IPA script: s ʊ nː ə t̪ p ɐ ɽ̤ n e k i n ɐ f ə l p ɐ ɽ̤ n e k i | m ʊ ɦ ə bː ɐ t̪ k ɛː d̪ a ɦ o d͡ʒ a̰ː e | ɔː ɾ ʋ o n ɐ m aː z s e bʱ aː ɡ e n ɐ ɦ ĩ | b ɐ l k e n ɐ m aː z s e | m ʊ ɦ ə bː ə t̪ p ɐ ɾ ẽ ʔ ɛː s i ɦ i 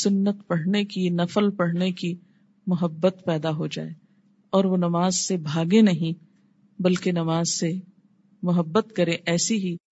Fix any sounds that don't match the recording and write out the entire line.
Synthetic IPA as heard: s ʊ nː ə t̪ p ɐ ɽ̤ n e k i n ɐ f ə l p ɐ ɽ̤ n e k i | m ʊ ɦ ə bː ə t̪ p ɛː d̪ a ɦ o d͡ʒ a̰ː e | ɔː ɾ ʋ o n ɐ m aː z s e bʱ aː ɡ e n ɐ ɦ ĩ | b ɐ l k e n ɐ m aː z s e | m ʊ ɦ ə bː ə t̪ k ɐ ɾ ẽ ʔ ɛː s i ɦ i